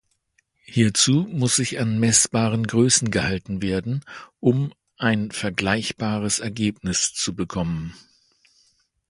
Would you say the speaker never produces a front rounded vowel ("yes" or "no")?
no